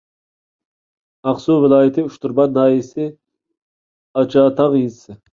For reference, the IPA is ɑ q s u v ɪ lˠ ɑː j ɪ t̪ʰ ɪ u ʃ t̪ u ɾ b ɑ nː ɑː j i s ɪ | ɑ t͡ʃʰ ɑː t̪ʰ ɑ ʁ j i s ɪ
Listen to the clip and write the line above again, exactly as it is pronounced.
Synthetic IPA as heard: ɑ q s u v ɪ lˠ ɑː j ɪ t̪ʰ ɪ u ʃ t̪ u ɾ b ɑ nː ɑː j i s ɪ | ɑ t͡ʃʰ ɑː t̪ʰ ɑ ʁ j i s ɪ